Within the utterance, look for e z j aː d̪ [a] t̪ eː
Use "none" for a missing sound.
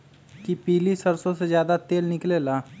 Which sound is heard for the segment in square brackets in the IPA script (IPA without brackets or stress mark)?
a